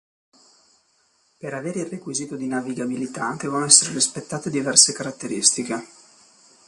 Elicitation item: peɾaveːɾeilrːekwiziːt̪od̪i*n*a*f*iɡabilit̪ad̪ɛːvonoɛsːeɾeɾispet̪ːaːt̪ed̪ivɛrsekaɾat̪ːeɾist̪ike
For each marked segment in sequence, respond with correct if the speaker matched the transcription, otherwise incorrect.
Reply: correct, incorrect: v

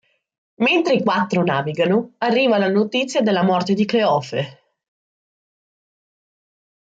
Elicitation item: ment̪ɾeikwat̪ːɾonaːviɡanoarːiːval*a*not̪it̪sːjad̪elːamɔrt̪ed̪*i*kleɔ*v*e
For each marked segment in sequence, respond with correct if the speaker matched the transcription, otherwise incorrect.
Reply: correct, correct, incorrect: f

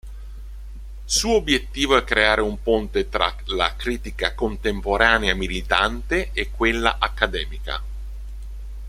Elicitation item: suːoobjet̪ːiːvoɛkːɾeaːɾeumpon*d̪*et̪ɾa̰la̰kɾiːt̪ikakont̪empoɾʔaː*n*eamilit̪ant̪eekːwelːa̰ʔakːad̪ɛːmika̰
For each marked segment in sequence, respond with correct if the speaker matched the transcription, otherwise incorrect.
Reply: incorrect: t̪, correct

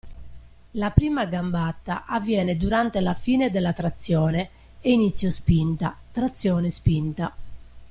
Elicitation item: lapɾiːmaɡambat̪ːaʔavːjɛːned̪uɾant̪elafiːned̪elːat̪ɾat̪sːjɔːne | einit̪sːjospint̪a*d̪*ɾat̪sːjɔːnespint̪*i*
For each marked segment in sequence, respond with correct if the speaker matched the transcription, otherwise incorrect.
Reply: incorrect: t̪, incorrect: a

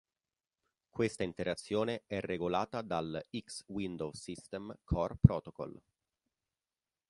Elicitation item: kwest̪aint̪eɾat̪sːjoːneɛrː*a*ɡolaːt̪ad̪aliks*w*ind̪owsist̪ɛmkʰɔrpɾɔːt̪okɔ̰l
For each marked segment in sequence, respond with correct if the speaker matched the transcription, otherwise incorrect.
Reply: incorrect: e, correct

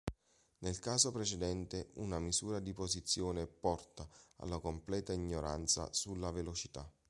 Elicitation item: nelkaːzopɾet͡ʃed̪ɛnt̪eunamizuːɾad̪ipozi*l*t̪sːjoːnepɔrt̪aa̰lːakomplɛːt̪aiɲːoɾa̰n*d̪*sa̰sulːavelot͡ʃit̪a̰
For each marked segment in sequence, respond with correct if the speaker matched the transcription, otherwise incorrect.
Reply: incorrect: none, incorrect: t̪

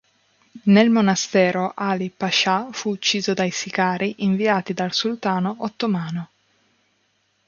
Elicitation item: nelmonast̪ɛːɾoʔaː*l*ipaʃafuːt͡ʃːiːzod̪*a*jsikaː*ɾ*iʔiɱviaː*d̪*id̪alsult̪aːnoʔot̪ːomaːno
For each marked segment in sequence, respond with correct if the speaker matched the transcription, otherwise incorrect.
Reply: correct, correct, correct, incorrect: t̪

